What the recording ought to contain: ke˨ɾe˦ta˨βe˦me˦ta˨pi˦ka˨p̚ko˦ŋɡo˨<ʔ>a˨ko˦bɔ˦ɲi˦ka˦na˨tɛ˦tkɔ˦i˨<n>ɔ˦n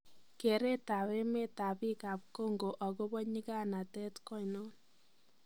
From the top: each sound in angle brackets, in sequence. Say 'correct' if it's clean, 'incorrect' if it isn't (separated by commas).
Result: correct, correct